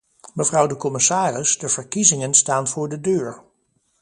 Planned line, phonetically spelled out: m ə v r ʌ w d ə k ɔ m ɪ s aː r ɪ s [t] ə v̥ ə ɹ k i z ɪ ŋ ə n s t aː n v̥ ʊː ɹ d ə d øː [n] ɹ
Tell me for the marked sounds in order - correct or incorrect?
incorrect: d, incorrect: none

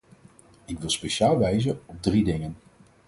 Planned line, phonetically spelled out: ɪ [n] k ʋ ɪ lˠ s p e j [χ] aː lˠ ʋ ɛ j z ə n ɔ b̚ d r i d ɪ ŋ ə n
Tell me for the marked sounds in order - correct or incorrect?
incorrect: none, incorrect: ʃ

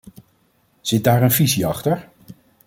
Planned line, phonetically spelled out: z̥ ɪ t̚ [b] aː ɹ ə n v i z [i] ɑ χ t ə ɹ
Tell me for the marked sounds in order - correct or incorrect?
incorrect: d, correct

